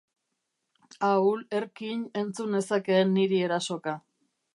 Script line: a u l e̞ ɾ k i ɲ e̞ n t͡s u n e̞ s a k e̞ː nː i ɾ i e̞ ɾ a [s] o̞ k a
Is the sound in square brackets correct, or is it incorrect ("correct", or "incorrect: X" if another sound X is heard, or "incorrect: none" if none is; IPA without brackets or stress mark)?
correct